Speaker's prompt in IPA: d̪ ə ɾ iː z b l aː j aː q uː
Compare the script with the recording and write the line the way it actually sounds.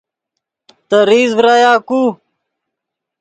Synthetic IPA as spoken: t̪ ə ɾ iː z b ɾ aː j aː k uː